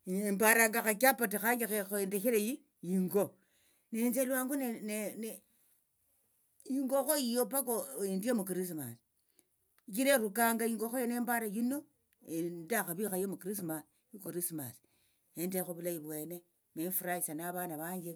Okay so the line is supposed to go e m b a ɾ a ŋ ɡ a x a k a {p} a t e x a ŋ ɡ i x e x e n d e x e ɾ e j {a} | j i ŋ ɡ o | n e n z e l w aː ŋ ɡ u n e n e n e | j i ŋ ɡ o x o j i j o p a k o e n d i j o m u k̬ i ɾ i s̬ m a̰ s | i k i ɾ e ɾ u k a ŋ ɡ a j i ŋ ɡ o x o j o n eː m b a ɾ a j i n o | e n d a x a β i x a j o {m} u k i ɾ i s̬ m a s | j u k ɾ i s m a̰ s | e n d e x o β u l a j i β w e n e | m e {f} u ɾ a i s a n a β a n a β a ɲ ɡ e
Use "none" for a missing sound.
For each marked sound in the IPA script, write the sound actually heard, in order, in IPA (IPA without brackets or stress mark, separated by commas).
p, i, m, f